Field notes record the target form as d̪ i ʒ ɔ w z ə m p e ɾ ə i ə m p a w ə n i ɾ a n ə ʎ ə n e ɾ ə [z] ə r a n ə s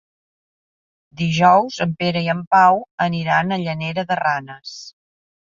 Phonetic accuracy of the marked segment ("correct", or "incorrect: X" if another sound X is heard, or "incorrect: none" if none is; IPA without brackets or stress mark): incorrect: ð